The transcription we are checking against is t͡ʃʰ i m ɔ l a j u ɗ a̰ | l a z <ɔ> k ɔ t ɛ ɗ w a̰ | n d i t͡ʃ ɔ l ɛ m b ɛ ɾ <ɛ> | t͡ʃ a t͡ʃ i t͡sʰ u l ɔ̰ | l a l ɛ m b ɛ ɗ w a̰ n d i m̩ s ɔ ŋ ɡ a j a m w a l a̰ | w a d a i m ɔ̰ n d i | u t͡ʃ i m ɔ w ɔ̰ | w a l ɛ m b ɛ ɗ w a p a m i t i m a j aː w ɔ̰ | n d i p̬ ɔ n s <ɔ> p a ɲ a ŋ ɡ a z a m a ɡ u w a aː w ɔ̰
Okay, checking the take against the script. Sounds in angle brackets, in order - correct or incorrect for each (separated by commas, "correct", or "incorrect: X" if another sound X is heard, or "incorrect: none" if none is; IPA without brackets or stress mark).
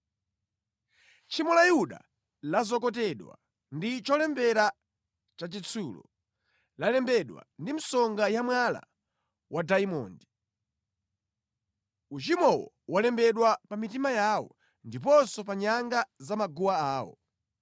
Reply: correct, incorrect: a, correct